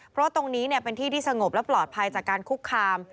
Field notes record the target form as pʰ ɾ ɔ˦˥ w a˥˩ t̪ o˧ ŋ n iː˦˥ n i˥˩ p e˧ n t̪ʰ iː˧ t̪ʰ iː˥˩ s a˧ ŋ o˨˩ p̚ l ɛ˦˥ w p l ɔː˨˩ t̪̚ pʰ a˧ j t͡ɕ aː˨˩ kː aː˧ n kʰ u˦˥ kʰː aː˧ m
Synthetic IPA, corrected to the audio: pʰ ɾ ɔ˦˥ w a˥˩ t̪ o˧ ŋ n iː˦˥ n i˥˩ p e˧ n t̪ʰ iː˥˩ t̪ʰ iː˥˩ s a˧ ŋ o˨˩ p̚ l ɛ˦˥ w p l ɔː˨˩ t̪̚ pʰ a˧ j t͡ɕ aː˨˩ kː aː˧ n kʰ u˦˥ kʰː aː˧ m